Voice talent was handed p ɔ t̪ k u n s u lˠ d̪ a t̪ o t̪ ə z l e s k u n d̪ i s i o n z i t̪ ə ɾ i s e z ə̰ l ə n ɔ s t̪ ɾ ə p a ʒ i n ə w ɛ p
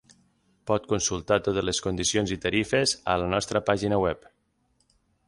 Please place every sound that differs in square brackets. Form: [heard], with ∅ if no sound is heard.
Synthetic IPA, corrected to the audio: p ɔ t̪ k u n s u lˠ [t̪] a t̪ o t̪ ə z l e s k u n d̪ i s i o n z i t̪ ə ɾ i [f] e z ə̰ l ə n ɔ s t̪ ɾ ə p a ʒ i n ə w ɛ p